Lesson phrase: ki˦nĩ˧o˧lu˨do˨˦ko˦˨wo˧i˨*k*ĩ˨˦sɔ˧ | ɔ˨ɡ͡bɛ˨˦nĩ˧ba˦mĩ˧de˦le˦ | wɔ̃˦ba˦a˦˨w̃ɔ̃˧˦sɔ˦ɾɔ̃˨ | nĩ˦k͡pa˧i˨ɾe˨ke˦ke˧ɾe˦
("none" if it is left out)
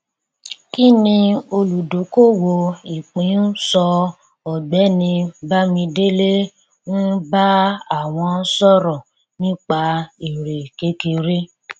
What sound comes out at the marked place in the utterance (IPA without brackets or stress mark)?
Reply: k͡p